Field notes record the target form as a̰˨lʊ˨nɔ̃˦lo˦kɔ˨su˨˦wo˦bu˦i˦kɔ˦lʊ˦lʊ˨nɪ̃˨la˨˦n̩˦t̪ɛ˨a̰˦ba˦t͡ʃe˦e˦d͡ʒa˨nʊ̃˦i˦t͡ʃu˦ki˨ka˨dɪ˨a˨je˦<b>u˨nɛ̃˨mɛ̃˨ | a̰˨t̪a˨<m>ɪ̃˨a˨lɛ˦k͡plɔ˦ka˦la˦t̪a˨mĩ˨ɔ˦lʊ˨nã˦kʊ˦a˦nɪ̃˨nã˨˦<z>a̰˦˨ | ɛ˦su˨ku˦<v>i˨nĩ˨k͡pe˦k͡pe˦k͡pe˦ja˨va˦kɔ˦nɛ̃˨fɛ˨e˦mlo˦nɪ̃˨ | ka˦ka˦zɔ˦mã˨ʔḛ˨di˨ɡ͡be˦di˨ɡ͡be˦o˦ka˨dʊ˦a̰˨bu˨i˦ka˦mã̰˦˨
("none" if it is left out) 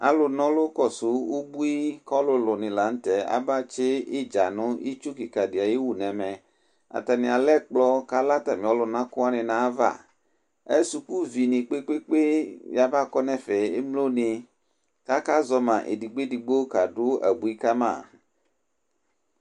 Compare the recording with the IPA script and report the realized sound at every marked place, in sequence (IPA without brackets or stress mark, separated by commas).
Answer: w, n, v, v